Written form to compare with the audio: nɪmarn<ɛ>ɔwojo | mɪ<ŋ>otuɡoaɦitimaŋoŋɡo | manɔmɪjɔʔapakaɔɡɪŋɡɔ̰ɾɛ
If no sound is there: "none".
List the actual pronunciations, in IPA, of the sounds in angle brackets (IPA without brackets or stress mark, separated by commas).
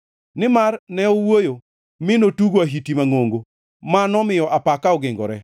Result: ɛ, n